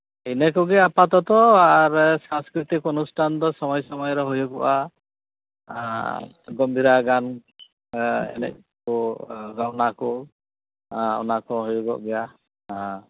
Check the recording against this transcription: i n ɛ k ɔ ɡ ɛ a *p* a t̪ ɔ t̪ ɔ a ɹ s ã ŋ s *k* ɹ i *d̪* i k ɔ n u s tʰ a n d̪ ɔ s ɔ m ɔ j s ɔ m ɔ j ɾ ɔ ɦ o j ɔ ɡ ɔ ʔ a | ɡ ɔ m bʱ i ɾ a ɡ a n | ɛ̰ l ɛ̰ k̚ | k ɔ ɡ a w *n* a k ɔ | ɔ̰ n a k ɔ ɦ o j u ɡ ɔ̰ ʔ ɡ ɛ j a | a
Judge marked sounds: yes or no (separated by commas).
yes, yes, no, yes